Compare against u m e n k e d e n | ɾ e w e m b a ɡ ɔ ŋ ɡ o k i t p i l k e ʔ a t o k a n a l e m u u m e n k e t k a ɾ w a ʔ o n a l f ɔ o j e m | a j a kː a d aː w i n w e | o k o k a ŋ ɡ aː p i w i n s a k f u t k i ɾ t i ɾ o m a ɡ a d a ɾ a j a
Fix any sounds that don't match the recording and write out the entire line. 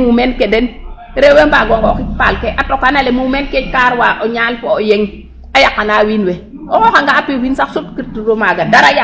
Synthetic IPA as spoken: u m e n k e d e n | ɾ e w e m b a ɡ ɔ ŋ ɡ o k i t p a l k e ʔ a t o k a n a l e m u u m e n k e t k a ɾ w a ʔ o ɲ a l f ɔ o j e ŋ | a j a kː a n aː w i n w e | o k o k a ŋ ɡ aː p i w i n s a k s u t k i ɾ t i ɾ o m a ɡ a d a ɾ a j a